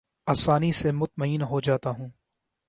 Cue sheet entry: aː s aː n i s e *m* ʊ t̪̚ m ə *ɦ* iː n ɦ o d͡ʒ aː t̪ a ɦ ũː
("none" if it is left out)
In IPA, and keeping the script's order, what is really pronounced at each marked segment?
m, none

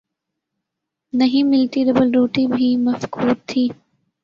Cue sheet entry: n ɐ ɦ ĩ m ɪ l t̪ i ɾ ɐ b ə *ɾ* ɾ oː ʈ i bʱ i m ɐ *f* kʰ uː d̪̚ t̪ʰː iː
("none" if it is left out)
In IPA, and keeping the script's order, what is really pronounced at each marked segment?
l, f

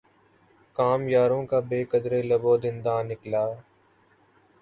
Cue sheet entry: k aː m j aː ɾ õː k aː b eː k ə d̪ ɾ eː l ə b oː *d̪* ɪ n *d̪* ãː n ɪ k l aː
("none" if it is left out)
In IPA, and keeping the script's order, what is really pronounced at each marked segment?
d̪, d̪

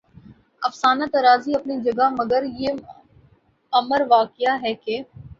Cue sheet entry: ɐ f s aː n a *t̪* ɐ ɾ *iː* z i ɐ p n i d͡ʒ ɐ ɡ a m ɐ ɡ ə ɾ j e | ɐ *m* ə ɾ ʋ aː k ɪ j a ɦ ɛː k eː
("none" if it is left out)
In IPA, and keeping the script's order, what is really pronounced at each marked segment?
t̪, aː, m

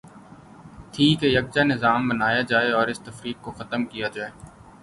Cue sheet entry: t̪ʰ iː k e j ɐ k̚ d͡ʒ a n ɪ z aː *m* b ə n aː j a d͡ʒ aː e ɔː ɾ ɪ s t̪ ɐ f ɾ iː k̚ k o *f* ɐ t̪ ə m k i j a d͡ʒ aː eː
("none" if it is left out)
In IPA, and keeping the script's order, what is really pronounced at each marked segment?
m, x

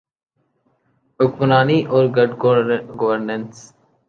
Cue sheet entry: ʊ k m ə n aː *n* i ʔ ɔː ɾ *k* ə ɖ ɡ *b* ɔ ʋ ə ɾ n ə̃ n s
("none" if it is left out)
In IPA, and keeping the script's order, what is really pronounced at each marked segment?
n, ɡ, ɡ

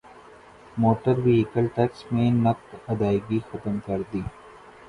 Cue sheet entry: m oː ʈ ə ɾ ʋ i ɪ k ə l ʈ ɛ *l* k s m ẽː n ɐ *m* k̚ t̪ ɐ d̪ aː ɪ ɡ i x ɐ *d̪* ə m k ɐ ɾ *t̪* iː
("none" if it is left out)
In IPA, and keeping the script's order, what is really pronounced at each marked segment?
none, none, t̪, d̪

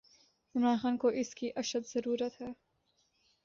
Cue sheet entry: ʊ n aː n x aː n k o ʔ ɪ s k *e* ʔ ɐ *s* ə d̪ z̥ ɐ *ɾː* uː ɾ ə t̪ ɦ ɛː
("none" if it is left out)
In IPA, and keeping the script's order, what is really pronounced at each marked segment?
i, ʃ, ɾ

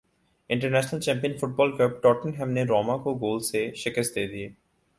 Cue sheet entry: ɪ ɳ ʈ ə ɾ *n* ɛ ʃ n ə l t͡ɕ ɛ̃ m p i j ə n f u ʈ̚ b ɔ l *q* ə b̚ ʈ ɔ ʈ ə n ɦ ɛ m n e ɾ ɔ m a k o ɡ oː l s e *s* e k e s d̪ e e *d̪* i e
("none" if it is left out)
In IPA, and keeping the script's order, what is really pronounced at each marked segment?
n, k, ʃ, d̪

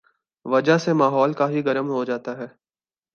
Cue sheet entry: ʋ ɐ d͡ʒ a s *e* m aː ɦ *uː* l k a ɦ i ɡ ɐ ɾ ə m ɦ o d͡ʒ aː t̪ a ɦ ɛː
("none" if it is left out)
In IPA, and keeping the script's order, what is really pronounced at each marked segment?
e, ɔː

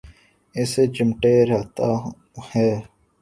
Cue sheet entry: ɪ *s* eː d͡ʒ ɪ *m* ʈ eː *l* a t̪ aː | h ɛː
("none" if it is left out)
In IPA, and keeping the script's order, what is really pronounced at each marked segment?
s, m, ɾ

